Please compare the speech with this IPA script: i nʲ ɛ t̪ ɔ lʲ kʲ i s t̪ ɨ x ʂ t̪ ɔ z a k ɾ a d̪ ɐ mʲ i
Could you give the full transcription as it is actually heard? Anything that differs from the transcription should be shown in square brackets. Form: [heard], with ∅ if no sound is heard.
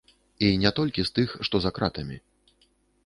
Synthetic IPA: i nʲ ɛ t̪ ɔ lʲ kʲ i s t̪ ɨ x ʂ t̪ ɔ z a k ɾ a [t̪] ɐ mʲ i